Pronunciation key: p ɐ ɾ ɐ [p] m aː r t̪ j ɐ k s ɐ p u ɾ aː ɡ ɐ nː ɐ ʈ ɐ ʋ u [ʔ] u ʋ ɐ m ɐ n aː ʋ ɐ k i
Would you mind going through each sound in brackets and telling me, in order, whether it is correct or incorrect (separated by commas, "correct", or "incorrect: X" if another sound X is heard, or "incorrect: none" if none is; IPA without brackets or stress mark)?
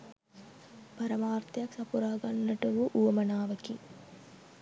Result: incorrect: none, correct